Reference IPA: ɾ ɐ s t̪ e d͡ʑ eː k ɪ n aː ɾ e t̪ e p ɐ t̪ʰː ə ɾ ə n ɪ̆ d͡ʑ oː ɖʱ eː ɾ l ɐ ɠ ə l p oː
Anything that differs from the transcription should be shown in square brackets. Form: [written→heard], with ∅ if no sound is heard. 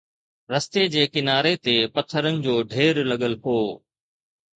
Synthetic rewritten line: ɾ ɐ s t̪ e d͡ʑ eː k ɪ n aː ɾ e t̪ e p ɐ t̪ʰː ə ɾ ə n ɪ̆ d͡ʑ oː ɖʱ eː ɾ l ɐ ɠ ə l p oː